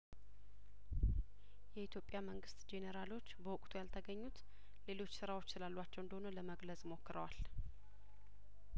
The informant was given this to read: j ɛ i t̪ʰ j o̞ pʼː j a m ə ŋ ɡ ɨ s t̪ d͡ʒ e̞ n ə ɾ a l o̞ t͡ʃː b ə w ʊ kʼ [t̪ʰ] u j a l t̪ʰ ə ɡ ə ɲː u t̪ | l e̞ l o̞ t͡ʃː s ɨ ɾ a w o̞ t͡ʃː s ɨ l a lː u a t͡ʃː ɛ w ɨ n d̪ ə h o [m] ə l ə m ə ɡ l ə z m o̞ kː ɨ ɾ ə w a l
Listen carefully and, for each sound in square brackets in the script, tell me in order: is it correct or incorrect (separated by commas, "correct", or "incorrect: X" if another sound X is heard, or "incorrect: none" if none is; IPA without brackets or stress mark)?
correct, incorrect: n